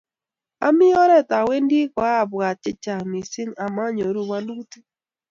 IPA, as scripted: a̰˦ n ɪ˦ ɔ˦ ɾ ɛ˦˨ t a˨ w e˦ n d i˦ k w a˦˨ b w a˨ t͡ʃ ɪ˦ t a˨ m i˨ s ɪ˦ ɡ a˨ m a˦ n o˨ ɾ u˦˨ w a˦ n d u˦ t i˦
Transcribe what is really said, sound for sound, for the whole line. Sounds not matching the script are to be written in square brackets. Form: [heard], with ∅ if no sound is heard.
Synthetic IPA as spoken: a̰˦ [m] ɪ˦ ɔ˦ ɾ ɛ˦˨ t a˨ w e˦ n d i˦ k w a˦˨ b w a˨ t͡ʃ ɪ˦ [t͡ʃ] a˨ m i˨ s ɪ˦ [ŋ] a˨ m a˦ [ɲ] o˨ ɾ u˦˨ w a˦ n d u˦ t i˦